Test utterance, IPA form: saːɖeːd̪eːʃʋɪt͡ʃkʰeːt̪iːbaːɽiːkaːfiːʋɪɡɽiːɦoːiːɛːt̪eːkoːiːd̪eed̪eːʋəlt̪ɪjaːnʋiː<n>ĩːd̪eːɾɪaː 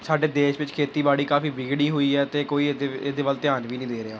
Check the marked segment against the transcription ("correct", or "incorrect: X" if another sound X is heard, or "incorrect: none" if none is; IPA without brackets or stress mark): correct